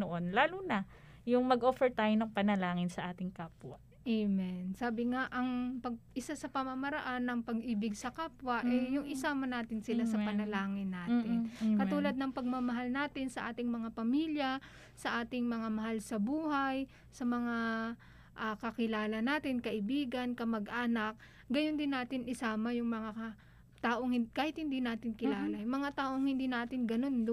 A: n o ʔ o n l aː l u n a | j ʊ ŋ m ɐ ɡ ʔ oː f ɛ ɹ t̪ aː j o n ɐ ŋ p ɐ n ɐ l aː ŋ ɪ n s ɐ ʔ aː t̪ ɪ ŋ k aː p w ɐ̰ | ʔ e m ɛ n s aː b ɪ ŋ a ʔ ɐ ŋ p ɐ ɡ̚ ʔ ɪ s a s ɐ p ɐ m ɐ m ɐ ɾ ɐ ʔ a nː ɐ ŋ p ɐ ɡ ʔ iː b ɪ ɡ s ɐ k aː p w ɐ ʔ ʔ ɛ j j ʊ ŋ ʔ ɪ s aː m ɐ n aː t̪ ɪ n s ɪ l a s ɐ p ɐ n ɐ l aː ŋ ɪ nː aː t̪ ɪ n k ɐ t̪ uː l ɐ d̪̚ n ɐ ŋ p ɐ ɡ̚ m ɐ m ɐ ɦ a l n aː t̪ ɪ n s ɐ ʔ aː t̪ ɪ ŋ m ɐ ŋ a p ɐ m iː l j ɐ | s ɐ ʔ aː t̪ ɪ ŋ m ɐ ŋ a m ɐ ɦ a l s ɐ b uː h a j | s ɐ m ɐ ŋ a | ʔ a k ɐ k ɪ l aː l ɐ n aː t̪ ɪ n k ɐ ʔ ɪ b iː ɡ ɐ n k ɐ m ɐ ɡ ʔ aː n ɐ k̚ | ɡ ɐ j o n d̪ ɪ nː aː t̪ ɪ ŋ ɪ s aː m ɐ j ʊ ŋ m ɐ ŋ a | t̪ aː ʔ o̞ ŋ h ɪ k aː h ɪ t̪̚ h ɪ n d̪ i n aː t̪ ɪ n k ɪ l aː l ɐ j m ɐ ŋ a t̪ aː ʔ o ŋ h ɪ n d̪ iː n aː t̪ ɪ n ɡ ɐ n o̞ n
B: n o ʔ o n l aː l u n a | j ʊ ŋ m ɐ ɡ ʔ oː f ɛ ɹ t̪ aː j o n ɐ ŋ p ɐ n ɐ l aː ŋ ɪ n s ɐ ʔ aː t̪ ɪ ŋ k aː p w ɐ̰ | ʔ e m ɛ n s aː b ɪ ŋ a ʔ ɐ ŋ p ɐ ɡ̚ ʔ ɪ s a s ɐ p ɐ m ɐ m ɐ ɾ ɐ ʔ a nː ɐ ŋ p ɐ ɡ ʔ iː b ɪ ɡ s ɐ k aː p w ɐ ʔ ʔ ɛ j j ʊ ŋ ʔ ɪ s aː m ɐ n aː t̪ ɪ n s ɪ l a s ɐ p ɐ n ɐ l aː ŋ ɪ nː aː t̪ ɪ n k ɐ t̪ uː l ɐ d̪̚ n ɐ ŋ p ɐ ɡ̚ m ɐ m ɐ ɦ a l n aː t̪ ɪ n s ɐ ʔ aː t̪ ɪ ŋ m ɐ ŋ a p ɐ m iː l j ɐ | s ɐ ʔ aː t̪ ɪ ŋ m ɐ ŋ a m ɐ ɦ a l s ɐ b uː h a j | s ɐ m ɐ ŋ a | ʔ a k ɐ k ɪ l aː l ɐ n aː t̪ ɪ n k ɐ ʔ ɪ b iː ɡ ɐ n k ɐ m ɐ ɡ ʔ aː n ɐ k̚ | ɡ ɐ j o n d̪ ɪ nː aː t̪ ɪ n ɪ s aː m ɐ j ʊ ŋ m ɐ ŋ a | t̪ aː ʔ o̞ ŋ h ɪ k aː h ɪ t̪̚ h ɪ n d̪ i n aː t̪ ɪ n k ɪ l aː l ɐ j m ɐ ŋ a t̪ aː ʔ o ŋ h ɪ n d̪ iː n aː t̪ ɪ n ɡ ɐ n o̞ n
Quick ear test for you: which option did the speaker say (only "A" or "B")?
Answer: B